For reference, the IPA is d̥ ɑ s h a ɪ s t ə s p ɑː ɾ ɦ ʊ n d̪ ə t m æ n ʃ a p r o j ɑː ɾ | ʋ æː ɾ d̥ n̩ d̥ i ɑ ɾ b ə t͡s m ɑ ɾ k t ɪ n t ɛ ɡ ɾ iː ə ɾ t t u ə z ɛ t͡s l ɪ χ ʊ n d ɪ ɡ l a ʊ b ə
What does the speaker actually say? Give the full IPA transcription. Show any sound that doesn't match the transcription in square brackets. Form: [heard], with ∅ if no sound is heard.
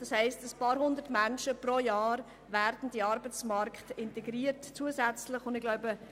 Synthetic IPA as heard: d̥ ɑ s h [ɛ] ɪ s t ə s p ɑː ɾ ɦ ʊ n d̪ ə t m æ n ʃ [ə] p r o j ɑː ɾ | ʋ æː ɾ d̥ n̩ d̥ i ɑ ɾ b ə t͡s m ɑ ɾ k t ɪ n t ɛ ɡ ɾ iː ə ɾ t [t͡s] u ə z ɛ t͡s l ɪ χ ʊ n d ɪ ɡ l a ʊ b ə